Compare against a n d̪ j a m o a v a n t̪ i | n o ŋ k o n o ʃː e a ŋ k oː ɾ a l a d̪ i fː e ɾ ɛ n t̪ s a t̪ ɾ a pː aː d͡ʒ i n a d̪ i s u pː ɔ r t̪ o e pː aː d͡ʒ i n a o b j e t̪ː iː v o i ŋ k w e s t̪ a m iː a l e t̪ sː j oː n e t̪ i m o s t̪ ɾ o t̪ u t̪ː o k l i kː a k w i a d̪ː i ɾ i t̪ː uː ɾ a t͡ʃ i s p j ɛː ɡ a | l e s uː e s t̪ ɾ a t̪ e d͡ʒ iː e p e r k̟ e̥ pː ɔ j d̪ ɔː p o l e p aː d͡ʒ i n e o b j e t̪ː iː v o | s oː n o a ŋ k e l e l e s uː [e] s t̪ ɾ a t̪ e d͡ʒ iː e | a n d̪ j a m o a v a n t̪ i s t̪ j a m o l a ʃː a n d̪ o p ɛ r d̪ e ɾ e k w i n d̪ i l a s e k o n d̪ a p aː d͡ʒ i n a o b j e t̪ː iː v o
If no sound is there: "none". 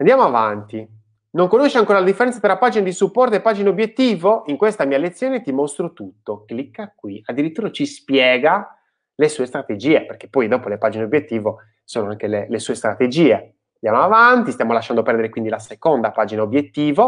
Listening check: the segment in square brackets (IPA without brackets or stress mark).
e